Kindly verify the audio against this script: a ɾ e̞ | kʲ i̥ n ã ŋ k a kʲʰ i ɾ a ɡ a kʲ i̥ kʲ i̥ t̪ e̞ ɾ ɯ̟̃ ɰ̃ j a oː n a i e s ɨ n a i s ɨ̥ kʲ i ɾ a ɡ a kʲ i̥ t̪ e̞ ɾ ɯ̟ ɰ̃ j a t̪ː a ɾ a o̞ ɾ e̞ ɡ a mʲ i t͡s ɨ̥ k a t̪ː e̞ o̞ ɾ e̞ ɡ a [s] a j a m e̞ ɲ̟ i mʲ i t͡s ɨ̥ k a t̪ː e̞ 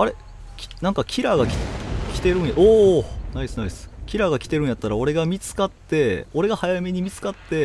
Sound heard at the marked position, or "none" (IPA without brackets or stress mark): h